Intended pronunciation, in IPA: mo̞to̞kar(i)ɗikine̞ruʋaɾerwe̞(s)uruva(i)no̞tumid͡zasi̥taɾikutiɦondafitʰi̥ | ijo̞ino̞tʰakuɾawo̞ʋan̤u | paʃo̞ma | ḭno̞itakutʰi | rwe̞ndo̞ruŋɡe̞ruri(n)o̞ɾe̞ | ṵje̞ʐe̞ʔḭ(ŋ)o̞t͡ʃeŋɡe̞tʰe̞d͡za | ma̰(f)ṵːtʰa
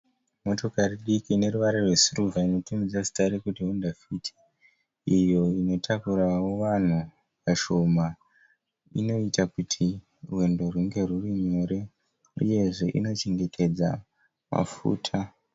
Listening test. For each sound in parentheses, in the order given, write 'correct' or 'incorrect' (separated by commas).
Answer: correct, correct, correct, incorrect, incorrect, correct